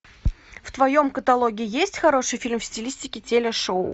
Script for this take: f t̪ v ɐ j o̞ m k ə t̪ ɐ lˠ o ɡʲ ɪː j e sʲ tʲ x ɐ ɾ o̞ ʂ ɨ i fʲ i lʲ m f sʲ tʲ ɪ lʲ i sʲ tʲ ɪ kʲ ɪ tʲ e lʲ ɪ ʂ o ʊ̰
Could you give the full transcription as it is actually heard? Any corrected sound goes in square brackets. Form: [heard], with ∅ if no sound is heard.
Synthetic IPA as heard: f t̪ v ɐ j o̞ m k ə t̪ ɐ lˠ o ɡʲ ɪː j e sʲ tʲ x ɐ ɾ o̞ ʂ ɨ [j] fʲ i lʲ m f sʲ tʲ ɪ lʲ i sʲ tʲ ɪ kʲ ɪ tʲ e lʲ ɪ ʂ o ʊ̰